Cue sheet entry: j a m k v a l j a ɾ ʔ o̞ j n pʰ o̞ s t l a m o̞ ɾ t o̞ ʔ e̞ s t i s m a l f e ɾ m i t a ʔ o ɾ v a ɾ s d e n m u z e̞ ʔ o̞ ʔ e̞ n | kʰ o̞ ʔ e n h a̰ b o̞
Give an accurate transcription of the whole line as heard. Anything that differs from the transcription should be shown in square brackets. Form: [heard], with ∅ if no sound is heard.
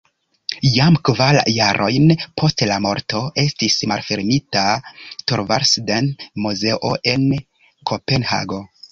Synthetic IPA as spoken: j a m k v a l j a ɾ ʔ o̞ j n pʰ o̞ s t l a m o̞ ɾ t o̞ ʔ e̞ s t i s m a l f e ɾ m i t a [t] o ɾ v a ɾ s d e n m u z e̞ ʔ o̞ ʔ e̞ n | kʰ o̞ [p] e n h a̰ [ɡ] o̞